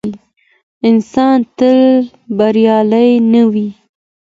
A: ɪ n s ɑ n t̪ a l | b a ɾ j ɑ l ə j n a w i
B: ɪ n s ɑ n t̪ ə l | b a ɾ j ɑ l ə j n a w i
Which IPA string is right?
B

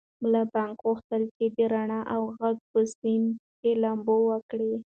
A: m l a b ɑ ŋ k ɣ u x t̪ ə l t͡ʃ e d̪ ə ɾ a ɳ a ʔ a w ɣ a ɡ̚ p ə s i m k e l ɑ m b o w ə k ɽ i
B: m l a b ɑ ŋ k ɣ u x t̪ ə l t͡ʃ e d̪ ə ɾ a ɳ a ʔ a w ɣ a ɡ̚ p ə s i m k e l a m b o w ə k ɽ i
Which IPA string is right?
B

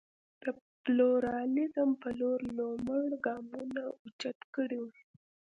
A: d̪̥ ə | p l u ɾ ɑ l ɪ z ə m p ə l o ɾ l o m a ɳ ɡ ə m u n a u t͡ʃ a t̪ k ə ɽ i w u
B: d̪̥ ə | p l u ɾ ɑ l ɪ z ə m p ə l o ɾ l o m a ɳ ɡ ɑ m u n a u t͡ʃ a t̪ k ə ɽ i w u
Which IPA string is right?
B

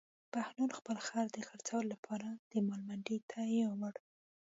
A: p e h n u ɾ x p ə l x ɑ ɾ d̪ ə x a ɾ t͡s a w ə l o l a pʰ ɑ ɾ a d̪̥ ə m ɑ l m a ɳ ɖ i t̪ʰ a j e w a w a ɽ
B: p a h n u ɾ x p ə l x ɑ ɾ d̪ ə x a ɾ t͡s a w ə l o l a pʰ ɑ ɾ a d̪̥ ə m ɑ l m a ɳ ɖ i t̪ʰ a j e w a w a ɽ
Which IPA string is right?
B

